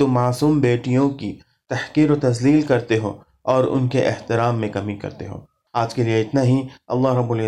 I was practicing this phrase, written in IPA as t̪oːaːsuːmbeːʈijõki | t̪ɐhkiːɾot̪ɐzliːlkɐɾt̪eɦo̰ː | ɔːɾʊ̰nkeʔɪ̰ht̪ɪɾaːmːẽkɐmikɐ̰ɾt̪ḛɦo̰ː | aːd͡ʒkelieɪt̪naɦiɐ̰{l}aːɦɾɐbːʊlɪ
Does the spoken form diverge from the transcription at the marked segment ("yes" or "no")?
yes